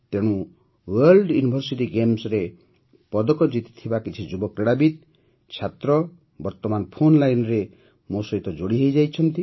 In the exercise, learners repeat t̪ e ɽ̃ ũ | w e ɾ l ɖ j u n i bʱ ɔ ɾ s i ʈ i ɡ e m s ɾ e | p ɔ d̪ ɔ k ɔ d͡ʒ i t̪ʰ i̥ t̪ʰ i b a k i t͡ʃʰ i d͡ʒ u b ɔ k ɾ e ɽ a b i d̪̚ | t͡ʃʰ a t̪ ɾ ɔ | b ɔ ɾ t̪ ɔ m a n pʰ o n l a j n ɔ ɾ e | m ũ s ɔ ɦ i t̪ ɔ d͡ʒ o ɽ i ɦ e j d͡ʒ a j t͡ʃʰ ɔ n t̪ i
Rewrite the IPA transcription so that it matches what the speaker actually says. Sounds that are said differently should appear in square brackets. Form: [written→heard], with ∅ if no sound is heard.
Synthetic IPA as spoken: t̪ e ɽ̃ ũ | w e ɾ l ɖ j u n i bʱ ɔ ɾ s i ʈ i ɡ e m s ɾ e | p ɔ d̪ ɔ k ɔ d͡ʒ i [t̪ʰ→t̪] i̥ t̪ʰ i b a k i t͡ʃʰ i d͡ʒ u b ɔ k ɾ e ɽ a b i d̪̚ | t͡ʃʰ a t̪ ɾ ɔ | b ɔ ɾ t̪ ɔ m a n pʰ o n l a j n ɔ ɾ e | m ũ s ɔ ɦ i t̪ ɔ d͡ʒ o ɽ i ɦ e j d͡ʒ a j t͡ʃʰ ɔ n t̪ i